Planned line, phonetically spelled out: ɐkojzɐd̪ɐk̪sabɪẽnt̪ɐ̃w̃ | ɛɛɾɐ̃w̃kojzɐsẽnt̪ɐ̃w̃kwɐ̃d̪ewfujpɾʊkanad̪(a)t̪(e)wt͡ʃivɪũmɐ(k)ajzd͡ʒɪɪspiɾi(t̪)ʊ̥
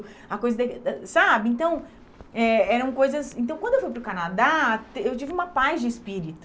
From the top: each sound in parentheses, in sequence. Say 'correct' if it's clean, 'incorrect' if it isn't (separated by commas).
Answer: correct, correct, incorrect, correct